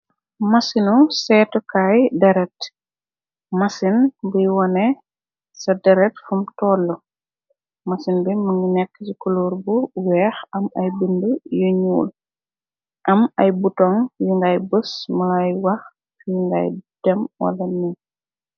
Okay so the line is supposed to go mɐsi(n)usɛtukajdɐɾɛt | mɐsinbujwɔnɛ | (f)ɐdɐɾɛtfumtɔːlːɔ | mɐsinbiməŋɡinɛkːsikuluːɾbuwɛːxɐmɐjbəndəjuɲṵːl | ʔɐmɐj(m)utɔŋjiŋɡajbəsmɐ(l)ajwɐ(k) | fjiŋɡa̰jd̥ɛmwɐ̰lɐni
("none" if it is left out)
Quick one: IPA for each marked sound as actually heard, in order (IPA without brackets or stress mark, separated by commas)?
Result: n, s, b, l, x